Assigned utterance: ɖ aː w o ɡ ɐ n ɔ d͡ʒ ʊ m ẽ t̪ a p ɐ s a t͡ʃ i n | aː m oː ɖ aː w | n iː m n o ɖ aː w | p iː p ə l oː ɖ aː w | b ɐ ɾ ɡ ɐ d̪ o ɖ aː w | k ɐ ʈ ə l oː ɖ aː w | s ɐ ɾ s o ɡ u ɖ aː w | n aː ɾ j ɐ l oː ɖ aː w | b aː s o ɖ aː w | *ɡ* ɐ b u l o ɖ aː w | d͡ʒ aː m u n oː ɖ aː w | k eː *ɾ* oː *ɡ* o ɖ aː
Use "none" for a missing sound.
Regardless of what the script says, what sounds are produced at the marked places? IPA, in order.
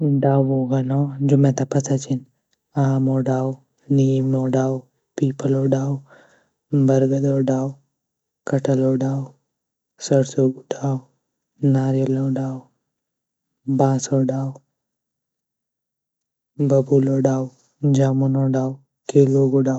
b, l, ɡ

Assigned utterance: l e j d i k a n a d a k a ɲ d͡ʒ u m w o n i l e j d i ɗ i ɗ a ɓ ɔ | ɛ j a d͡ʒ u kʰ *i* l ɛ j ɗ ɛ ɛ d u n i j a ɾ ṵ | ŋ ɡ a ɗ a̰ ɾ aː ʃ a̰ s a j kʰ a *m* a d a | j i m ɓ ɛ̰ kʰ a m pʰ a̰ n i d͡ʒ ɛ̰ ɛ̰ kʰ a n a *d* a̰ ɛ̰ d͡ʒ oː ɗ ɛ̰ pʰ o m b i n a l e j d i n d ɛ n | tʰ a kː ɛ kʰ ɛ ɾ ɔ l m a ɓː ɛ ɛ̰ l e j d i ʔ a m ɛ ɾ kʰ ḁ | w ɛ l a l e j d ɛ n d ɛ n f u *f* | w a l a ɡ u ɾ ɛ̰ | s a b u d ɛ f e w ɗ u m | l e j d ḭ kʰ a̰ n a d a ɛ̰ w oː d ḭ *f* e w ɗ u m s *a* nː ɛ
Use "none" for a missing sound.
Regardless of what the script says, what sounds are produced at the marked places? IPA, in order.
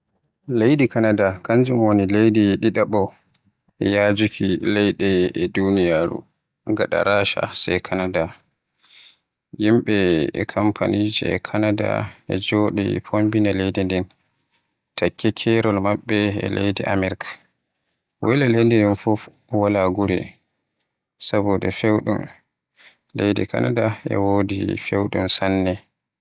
i, n, d, f, f, a

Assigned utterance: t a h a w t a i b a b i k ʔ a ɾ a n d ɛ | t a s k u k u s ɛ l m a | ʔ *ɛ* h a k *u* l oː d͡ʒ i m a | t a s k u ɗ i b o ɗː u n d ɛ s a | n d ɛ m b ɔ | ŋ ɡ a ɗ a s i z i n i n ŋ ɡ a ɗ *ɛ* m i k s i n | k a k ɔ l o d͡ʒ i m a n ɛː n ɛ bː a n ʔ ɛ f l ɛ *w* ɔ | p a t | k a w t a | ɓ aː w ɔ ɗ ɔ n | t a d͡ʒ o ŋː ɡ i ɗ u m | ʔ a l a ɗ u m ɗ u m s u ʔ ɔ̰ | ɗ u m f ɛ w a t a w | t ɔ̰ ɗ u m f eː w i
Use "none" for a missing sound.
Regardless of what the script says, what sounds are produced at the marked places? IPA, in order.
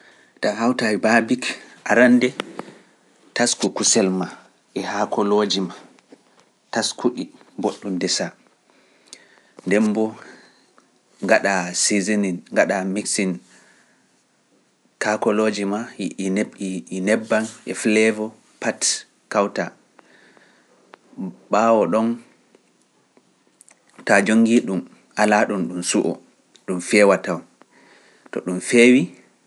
ɛ, ɔ, a, v

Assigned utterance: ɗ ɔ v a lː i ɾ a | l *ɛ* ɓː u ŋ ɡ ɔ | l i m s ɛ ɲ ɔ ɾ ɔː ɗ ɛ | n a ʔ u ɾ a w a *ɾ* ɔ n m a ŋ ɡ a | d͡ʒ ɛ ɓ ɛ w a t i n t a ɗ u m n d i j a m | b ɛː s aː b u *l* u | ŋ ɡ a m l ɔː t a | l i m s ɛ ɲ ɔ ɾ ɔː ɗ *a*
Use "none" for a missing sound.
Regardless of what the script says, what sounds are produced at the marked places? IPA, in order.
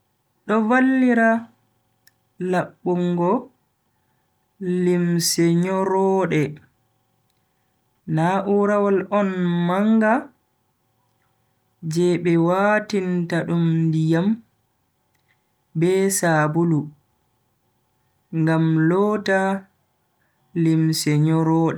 a, l, l, ɛ

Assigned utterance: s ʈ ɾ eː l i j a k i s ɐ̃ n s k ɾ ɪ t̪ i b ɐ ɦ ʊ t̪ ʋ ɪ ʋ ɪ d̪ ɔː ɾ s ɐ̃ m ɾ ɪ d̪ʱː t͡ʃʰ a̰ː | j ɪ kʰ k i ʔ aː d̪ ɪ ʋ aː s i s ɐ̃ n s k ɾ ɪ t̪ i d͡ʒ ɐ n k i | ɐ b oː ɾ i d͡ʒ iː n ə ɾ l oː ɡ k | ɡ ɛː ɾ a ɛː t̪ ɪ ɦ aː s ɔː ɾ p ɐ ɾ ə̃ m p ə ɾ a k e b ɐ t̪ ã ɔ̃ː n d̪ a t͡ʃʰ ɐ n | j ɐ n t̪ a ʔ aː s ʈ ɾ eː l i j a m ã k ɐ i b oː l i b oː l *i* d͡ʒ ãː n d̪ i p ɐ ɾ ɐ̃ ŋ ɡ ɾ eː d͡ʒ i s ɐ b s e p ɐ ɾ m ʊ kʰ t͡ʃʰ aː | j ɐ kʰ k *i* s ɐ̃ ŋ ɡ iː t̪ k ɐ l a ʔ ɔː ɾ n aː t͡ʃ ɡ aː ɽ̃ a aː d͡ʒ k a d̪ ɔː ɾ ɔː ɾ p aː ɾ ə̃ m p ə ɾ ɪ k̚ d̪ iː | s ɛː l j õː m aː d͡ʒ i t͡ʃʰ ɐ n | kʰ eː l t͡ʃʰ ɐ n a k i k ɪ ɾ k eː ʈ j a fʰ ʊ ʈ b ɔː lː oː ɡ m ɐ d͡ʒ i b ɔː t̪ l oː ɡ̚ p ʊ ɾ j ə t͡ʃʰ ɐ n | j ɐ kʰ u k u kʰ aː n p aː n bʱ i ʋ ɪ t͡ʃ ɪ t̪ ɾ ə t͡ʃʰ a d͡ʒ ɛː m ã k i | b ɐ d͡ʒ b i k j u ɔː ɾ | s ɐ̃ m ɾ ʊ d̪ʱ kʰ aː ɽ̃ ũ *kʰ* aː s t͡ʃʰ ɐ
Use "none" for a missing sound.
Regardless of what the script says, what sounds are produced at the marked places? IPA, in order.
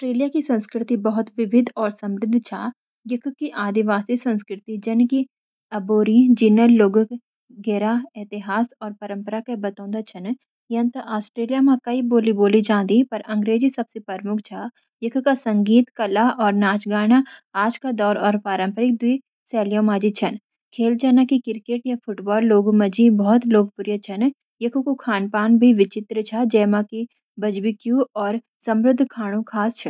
i, a, kʰ

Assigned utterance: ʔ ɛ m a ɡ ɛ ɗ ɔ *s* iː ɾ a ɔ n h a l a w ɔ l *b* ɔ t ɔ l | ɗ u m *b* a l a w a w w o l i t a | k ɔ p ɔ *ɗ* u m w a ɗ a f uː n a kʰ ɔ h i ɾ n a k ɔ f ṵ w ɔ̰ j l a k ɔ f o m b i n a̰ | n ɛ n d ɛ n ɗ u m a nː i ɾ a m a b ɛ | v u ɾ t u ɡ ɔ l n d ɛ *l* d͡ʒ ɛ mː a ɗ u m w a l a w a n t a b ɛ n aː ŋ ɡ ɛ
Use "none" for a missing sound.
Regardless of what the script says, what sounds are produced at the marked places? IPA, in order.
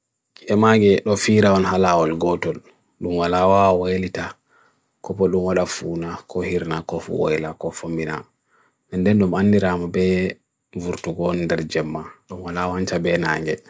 f, ɡ, w, ɗ, ɾ

